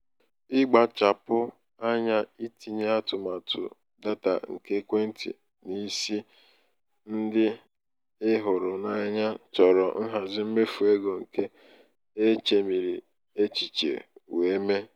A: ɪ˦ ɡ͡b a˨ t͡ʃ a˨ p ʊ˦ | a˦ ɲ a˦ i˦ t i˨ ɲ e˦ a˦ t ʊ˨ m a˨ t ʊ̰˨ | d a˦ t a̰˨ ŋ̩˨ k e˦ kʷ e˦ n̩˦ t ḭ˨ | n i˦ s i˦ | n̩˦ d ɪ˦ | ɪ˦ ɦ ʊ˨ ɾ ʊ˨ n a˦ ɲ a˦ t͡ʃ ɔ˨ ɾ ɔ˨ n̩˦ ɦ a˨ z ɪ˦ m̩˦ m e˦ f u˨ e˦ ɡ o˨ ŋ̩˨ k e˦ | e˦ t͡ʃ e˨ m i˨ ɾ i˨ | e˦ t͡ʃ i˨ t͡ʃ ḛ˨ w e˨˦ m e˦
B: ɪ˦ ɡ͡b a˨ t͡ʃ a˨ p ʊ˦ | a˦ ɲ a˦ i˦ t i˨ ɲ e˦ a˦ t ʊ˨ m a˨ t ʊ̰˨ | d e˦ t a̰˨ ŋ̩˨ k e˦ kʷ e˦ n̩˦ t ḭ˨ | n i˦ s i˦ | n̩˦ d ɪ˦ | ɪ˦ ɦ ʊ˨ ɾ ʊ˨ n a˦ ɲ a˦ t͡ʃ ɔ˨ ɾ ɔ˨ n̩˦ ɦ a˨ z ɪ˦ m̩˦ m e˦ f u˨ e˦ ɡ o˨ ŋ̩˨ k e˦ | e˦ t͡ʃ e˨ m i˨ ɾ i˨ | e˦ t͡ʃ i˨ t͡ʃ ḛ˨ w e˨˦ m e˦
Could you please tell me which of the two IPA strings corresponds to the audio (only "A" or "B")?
A